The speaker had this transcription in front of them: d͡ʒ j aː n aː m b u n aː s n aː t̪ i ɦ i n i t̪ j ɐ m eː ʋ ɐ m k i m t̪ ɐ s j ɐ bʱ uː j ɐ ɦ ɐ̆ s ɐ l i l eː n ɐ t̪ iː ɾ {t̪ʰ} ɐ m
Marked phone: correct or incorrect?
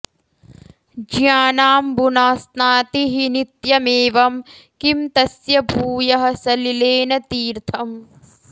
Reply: correct